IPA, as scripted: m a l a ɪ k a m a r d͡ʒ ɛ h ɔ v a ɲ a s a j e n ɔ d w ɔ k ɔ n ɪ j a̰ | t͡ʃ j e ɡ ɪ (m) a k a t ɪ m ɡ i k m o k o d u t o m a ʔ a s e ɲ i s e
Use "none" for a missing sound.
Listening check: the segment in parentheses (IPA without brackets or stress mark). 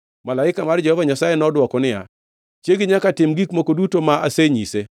ɲ